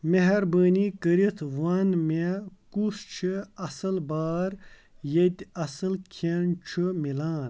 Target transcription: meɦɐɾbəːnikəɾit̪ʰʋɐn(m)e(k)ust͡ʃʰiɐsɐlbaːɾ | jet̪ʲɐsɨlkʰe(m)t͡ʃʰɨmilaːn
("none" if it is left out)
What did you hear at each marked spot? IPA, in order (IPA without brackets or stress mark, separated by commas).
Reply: m, k, n